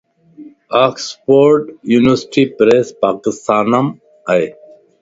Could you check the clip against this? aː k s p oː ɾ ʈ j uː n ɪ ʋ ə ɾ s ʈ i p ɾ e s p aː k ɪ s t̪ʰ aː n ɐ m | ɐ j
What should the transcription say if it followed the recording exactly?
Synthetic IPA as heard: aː k s p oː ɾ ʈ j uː n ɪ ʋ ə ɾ s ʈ i p ɾ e s p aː k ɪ s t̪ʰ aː n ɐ m | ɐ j